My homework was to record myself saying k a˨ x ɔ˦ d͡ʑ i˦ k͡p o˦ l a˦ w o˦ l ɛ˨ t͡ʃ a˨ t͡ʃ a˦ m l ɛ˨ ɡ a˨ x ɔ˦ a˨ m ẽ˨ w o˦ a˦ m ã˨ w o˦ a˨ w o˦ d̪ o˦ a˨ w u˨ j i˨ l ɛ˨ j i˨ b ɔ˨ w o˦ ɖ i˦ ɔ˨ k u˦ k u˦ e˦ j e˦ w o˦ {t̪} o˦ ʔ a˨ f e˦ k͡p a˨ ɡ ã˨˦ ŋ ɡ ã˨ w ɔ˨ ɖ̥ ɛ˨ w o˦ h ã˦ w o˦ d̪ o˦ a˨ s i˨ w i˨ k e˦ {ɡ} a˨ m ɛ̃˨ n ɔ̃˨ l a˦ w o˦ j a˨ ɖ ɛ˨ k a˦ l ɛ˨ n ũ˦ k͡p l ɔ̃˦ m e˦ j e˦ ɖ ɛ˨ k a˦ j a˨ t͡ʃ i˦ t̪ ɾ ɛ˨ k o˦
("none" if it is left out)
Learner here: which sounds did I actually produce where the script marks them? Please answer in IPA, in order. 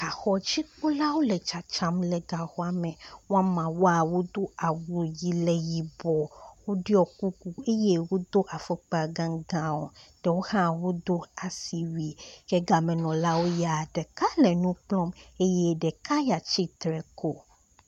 d̪, ɡ

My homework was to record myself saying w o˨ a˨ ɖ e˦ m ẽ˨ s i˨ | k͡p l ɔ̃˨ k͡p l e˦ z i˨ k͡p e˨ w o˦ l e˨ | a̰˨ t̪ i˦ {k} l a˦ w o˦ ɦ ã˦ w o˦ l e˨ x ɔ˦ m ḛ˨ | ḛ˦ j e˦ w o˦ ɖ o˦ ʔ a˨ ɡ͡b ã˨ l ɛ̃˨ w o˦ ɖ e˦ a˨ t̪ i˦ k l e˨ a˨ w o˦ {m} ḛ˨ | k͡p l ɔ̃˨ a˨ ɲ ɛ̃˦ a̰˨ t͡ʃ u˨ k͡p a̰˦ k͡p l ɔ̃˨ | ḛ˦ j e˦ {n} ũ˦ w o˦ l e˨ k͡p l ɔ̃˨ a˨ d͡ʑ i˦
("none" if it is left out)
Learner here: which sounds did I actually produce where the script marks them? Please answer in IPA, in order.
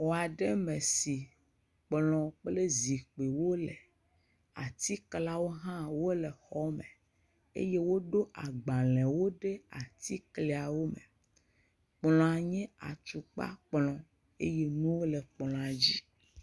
k, m, n

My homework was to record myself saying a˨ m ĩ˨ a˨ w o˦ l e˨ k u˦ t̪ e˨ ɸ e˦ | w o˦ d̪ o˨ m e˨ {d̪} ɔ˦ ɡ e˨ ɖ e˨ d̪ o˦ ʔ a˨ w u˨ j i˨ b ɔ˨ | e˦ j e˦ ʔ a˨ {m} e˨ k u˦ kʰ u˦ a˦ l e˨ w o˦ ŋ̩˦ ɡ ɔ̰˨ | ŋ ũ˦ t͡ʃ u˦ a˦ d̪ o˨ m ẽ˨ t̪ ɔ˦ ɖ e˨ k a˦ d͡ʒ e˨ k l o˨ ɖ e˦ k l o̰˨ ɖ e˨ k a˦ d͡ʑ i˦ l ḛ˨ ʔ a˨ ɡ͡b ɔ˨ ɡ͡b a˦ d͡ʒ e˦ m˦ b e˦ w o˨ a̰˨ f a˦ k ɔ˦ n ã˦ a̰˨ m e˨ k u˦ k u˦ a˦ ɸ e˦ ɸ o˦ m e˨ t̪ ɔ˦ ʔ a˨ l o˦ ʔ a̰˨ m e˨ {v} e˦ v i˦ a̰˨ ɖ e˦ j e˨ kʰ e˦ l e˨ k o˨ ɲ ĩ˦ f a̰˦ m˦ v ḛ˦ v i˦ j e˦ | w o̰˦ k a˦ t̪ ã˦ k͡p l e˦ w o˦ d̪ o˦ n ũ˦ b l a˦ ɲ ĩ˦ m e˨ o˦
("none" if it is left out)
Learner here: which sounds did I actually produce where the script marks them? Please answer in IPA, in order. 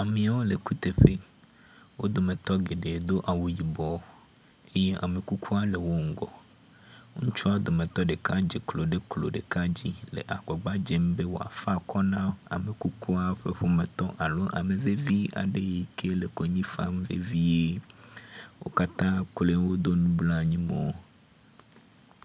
t̪, m, v

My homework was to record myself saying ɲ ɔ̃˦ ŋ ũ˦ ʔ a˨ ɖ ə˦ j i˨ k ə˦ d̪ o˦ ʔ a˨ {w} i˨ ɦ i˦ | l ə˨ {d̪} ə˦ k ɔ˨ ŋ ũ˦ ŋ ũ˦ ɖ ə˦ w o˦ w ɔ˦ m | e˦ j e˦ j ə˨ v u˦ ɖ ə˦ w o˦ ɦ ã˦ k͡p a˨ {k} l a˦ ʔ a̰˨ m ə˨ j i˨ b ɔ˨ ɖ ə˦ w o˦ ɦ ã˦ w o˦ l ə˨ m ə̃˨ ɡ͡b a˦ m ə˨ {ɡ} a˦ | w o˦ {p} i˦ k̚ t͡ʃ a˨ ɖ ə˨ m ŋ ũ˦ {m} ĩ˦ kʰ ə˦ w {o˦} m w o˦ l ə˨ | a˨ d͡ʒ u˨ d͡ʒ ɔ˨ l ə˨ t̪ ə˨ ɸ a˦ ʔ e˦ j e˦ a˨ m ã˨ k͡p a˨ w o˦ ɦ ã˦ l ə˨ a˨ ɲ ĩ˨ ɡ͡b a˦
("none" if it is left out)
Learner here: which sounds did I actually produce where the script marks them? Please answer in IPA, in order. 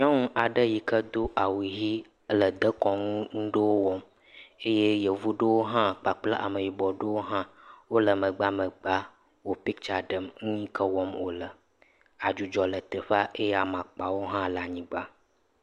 w, d̪, k͡p, ɡ͡b, p, ɲ, ɔ˦

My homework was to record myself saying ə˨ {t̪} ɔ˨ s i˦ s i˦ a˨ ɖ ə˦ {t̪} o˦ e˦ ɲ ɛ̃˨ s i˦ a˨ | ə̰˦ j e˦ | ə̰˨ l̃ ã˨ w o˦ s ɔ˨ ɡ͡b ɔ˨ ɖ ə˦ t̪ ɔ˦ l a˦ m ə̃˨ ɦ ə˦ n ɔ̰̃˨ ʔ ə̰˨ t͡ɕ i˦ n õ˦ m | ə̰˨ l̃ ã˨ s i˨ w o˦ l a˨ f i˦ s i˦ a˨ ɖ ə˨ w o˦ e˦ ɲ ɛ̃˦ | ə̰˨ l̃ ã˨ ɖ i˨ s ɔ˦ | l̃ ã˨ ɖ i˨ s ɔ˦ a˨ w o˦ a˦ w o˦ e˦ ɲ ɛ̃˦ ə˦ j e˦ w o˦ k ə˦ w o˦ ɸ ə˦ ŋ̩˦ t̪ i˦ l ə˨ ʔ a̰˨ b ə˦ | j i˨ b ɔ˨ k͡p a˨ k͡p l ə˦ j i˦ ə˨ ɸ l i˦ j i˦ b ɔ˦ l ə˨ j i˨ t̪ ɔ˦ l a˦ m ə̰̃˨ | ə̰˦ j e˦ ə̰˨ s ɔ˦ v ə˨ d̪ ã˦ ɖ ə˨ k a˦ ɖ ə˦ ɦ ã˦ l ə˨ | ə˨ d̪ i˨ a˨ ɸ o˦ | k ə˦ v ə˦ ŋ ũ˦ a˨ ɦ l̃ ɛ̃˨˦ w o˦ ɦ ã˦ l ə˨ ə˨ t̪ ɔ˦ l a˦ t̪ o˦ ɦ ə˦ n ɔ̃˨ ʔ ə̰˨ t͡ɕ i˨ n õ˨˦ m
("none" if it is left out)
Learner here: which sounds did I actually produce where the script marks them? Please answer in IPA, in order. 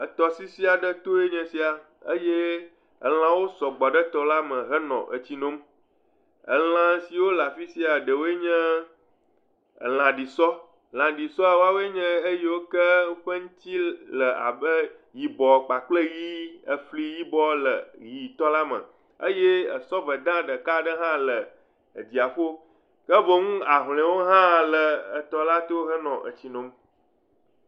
t̪, t̪

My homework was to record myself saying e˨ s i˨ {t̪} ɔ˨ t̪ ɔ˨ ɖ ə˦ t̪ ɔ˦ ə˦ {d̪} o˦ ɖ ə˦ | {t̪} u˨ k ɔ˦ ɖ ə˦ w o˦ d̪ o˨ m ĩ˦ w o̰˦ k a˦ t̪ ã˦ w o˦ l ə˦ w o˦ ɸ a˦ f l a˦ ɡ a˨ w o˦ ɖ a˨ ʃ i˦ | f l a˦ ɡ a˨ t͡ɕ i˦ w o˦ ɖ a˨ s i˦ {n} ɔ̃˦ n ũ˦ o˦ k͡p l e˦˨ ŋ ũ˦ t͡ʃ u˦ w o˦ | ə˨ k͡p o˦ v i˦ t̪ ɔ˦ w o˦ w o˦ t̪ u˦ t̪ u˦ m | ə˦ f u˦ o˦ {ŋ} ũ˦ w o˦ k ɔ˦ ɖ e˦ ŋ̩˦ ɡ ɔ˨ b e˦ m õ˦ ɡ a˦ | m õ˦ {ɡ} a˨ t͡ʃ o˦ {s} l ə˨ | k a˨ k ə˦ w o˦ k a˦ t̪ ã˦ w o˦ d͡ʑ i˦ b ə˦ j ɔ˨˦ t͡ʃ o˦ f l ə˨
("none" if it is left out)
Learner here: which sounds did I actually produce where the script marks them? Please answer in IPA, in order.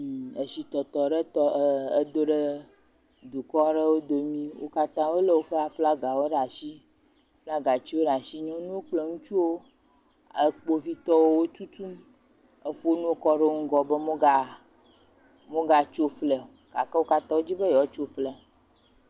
t̪, d̪, d̪, ɲ, n, ɡ, f

